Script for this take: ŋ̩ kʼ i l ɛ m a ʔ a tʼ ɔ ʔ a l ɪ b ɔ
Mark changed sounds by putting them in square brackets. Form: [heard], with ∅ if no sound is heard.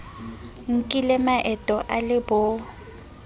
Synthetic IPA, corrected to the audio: ŋ̩ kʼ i l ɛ m a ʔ [ɛ] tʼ ɔ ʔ a l ɪ b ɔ